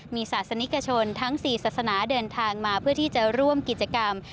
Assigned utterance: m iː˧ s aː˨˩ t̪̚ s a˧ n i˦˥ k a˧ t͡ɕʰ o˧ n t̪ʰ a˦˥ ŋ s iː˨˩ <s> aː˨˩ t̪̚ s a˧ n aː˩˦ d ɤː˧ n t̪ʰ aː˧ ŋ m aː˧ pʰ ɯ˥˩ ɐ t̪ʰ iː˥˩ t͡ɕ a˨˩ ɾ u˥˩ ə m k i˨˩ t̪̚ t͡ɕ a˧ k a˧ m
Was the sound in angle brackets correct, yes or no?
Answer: yes